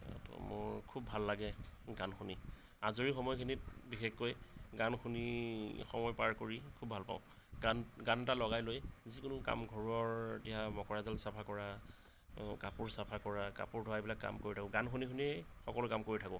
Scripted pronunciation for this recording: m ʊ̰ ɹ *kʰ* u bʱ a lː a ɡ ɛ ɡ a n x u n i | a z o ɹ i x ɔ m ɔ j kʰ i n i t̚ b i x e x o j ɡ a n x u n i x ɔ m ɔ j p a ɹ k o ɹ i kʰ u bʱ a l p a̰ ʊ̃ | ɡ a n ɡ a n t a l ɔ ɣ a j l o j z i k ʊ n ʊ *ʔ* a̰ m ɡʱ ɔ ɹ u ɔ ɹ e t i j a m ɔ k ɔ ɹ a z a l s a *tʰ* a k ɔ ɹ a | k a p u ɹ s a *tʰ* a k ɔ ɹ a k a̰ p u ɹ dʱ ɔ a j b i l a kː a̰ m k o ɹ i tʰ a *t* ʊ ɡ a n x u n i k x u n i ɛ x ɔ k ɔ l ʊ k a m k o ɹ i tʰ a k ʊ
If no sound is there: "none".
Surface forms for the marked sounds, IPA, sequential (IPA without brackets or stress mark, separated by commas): kʰ, k, pʰ, pʰ, k